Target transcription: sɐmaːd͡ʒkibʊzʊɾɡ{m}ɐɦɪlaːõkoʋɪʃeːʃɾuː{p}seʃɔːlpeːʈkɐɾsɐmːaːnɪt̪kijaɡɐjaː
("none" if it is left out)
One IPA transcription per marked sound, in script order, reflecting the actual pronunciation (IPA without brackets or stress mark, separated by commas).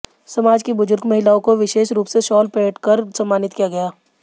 m, p